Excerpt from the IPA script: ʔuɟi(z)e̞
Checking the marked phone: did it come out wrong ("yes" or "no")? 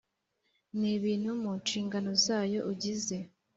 no